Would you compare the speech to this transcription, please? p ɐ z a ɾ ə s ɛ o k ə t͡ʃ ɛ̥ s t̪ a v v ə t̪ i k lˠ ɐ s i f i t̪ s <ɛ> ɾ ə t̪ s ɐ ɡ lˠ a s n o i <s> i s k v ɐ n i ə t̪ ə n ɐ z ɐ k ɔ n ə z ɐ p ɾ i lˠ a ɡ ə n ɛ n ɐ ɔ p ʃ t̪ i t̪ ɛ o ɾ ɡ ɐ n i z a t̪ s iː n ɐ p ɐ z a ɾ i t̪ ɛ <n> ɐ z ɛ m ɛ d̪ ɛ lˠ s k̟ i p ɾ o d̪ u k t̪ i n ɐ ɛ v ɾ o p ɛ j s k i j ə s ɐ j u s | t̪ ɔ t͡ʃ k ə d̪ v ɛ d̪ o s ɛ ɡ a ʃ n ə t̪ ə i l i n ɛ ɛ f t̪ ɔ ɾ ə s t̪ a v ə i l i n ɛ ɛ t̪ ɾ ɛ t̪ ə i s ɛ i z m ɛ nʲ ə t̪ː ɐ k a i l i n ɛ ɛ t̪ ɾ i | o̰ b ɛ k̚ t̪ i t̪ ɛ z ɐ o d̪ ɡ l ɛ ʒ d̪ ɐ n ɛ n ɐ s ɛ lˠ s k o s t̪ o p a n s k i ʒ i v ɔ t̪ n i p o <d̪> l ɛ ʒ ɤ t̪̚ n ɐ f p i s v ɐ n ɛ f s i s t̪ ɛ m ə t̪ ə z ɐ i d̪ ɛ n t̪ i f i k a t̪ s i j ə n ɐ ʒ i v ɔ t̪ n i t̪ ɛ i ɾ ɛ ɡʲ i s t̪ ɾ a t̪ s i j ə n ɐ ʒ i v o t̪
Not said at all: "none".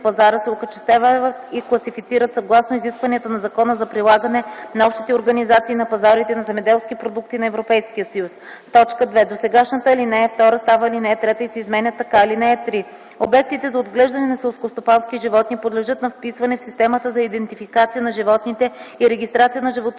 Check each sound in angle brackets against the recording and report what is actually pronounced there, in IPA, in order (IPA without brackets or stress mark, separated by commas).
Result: i, z, n, d̪